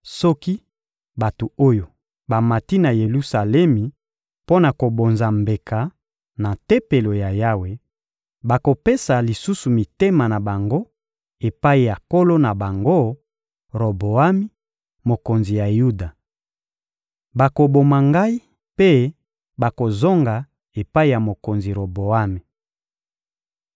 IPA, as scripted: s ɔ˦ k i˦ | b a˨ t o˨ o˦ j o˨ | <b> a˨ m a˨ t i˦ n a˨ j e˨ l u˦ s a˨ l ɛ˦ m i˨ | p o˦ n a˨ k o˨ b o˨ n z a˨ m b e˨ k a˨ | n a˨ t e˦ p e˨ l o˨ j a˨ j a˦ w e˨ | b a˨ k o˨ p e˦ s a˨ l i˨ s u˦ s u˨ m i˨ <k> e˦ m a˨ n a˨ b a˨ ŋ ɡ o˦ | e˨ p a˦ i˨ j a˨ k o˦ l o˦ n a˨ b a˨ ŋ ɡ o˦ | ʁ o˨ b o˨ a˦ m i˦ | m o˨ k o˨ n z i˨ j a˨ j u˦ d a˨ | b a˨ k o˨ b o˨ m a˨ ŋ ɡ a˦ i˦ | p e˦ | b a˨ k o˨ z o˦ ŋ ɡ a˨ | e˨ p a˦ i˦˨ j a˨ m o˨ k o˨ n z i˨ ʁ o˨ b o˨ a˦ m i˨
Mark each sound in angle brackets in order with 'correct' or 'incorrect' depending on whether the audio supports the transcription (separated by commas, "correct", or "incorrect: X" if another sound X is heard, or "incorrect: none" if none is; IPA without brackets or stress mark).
correct, incorrect: t